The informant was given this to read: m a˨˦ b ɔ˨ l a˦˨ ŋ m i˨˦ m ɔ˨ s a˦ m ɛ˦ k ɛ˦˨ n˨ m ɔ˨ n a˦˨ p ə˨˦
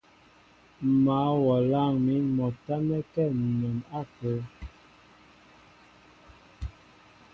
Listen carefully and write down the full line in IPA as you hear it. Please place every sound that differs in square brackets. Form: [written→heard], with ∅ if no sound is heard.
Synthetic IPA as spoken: m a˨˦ [b→w] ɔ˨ l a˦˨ ŋ m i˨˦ m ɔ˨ [s→t] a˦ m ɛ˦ k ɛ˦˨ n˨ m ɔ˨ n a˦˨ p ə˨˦